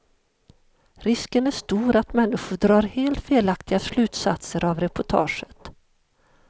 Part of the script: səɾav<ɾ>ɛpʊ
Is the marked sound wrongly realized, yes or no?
no